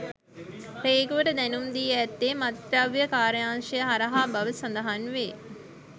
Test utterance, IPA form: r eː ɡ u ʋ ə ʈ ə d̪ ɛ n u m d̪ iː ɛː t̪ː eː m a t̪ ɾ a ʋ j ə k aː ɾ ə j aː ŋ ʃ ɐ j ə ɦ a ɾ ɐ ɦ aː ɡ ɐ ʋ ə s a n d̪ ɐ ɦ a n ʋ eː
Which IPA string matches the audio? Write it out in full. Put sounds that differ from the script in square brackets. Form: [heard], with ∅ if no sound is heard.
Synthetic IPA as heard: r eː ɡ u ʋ ə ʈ ə d̪ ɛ n u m d̪ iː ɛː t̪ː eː m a t̪ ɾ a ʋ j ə k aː ɾ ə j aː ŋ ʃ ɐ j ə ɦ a ɾ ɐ ɦ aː [b] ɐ ʋ ə s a n d̪ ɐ ɦ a n ʋ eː